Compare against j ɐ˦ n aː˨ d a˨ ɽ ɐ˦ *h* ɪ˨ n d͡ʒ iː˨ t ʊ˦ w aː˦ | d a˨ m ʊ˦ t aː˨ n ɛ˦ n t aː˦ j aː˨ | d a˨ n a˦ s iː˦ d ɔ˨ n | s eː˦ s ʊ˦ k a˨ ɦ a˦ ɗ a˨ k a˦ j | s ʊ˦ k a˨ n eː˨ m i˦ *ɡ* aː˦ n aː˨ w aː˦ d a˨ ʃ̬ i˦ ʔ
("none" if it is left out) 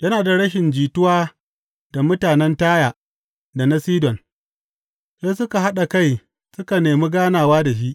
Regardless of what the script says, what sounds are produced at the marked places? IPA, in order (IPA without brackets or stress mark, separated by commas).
ʃ, ɡ